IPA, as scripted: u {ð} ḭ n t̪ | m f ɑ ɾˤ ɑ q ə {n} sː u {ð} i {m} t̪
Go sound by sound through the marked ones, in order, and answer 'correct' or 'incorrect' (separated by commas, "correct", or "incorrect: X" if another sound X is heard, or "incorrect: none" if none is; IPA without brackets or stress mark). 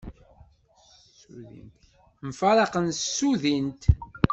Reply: correct, correct, correct, incorrect: n